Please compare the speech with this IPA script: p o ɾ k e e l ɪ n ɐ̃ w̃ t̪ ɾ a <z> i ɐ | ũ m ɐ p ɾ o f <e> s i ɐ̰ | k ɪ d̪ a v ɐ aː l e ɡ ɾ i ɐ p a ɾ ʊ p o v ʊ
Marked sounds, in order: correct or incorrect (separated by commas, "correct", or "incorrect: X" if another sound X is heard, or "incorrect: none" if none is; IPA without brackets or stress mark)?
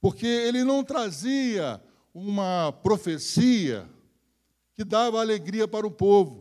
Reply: correct, correct